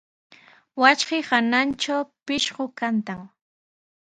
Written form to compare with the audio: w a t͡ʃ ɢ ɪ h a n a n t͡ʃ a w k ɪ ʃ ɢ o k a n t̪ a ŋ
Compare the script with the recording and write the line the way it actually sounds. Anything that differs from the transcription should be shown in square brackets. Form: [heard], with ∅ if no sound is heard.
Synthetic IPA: w a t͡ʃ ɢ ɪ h a n a n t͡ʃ a w [p] ɪ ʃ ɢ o k a n t̪ a ŋ